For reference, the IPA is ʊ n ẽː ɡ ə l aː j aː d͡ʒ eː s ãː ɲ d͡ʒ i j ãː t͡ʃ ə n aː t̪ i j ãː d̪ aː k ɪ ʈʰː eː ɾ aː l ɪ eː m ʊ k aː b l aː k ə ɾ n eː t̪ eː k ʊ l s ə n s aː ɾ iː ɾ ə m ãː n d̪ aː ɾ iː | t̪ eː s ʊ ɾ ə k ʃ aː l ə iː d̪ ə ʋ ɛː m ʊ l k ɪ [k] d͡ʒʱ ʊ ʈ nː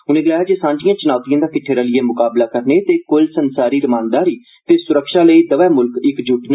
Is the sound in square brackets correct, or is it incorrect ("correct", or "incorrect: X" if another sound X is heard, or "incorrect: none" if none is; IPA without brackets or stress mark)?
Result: correct